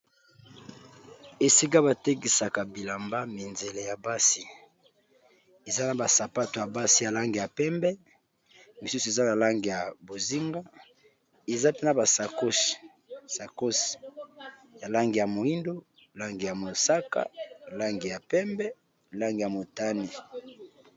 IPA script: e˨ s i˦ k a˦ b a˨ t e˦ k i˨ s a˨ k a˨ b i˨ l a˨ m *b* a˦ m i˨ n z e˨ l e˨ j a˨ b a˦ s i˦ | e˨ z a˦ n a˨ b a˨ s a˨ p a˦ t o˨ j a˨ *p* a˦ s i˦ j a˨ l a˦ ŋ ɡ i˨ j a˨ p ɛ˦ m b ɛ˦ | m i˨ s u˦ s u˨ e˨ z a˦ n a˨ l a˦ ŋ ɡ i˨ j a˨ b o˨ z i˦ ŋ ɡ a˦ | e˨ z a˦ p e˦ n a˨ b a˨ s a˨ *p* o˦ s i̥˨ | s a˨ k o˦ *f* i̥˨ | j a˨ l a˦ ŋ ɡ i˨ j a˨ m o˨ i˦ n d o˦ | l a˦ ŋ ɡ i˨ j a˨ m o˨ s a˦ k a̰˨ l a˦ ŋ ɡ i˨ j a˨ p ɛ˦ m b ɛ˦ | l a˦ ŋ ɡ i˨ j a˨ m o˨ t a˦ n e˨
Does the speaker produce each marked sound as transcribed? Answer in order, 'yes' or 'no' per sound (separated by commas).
yes, no, no, no